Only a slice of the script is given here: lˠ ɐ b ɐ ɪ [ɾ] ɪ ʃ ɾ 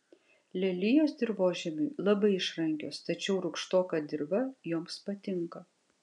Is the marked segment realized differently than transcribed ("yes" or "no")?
yes